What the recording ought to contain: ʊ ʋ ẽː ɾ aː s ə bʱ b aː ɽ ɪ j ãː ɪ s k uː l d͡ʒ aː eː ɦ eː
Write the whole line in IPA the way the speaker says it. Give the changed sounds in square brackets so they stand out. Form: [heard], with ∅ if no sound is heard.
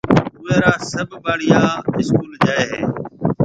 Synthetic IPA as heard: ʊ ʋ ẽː ɾ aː s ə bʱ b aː ɽ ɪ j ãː ɪ s k uː l d͡ʒ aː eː ɦ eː